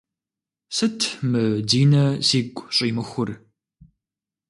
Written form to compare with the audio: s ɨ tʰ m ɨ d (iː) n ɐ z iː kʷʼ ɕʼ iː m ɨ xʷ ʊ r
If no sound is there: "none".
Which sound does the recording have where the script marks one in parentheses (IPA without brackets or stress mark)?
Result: iː